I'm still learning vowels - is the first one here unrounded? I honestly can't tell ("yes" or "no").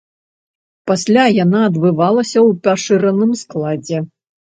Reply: yes